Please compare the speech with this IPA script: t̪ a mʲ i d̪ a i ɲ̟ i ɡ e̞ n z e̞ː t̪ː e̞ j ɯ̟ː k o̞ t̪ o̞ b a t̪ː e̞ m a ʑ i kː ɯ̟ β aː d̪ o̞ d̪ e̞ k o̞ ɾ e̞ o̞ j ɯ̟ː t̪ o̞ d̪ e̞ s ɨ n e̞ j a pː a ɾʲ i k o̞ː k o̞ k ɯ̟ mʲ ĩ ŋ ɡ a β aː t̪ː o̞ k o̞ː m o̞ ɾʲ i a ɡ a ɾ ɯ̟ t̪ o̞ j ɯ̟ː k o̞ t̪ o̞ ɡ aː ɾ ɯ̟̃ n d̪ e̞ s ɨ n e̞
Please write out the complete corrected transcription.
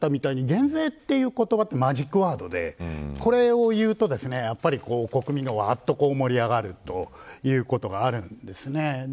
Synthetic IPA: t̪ a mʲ i t̪ a i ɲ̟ i ɡ ẽ̞ n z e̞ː t̪ː e̞ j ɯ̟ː k o̞ t̪ o̞ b a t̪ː e̞ m a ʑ i kː ɯ̟ β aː d̪ o̞ d̪ e̞ k o̞ ɾ e̞ o̞ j ɯ̟ː t̪ o̞ d̪ e̞ s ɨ n e̞ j a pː a ɾʲ i k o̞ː k o̞ k ɯ̟ mʲ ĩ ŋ ɡ a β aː t̪ː o̞ k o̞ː m o̞ ɾʲ i a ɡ a ɾ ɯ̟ t̪ o̞ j ɯ̟ː k o̞ t̪ o̞ ɡ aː ɾ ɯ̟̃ n d̪ e̞ s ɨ n e̞